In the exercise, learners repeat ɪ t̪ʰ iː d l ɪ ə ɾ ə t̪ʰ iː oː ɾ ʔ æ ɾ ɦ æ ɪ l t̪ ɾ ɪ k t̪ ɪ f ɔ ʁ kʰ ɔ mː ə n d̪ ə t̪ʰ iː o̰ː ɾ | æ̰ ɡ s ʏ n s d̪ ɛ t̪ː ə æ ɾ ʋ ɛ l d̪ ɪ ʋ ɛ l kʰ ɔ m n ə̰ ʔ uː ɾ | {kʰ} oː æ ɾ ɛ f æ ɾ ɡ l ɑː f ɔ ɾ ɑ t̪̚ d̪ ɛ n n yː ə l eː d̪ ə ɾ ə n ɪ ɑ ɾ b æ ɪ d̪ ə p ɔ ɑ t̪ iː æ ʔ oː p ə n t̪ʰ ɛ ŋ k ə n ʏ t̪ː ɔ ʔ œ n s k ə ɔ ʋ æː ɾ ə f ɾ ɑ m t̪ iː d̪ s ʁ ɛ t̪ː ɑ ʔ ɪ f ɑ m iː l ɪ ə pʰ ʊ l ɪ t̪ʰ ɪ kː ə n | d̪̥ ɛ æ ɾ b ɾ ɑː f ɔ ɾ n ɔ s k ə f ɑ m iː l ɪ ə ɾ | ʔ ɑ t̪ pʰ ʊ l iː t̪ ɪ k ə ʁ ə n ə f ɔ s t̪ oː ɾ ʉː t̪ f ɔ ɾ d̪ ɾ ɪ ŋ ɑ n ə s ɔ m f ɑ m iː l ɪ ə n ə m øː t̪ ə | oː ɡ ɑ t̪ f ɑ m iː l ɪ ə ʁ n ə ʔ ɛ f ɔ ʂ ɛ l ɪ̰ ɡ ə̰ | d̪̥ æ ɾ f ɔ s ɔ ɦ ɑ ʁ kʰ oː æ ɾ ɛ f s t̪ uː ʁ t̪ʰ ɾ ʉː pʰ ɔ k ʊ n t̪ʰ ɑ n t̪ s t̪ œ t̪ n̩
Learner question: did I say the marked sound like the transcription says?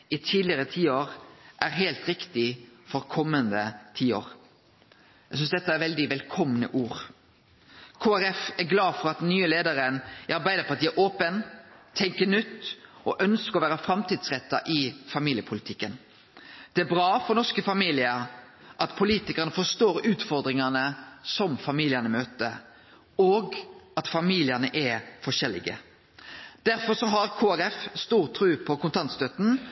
yes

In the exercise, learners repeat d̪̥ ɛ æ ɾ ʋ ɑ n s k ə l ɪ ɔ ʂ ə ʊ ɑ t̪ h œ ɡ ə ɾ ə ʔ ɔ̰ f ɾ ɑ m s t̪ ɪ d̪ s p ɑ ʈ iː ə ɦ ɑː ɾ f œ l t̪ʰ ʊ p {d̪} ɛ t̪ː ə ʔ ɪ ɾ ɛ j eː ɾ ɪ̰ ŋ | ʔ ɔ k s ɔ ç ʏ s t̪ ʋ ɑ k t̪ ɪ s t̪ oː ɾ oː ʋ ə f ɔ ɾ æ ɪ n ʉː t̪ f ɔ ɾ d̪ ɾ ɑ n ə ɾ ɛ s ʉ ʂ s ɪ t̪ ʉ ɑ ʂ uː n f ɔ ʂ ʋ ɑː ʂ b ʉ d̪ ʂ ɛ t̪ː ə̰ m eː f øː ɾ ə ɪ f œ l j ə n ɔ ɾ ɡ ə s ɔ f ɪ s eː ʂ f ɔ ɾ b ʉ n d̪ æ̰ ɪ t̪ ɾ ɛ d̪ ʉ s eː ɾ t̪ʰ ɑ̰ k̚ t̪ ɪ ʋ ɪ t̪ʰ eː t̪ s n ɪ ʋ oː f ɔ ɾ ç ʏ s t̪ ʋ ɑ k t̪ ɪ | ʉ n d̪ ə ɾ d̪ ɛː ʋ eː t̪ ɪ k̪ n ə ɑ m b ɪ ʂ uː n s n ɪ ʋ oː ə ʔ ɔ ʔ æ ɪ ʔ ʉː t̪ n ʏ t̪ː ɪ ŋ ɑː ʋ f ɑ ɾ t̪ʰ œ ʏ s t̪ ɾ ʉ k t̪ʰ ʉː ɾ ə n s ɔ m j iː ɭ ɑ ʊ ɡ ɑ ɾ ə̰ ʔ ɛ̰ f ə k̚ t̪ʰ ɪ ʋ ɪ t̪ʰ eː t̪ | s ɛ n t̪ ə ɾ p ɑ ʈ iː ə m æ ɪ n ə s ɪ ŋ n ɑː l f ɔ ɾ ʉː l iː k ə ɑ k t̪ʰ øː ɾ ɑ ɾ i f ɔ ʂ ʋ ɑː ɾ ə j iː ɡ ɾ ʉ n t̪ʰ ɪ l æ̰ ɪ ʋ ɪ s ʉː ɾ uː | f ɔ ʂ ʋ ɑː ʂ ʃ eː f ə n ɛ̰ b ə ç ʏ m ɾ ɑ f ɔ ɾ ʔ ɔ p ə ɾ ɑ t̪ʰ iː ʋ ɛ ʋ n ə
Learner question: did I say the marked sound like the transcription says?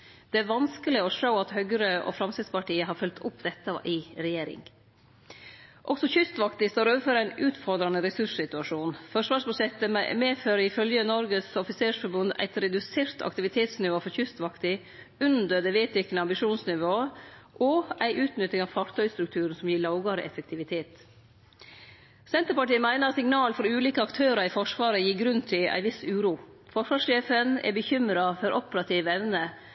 yes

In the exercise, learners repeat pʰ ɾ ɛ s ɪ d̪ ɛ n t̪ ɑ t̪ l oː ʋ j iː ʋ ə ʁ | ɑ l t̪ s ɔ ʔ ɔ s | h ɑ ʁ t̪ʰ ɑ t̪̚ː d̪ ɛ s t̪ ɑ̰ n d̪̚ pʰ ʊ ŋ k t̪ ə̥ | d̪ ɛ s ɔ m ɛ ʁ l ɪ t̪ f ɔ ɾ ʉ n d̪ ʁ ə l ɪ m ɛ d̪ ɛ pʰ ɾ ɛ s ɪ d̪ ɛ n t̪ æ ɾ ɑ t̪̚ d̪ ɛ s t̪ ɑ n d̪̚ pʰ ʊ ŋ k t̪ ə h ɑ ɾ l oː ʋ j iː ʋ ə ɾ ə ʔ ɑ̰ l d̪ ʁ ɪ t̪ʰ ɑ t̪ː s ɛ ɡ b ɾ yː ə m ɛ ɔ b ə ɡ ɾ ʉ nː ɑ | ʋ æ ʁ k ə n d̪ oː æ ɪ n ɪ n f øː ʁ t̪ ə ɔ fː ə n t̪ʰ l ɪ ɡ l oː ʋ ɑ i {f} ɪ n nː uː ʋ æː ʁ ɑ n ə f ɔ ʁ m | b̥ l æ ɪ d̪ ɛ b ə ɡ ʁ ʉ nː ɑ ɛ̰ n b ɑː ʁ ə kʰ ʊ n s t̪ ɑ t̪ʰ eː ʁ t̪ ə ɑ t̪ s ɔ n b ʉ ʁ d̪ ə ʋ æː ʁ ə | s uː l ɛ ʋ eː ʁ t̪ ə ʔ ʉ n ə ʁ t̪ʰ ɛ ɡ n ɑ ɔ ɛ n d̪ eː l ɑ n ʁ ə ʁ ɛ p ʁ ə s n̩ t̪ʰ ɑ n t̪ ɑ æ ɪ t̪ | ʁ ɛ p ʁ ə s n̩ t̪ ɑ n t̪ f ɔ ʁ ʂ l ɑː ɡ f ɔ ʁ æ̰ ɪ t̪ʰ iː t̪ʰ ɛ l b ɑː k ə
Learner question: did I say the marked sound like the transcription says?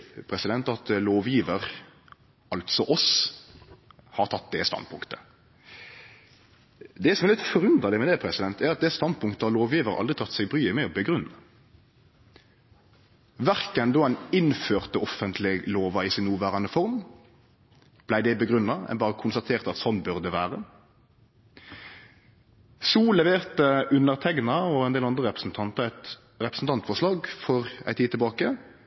no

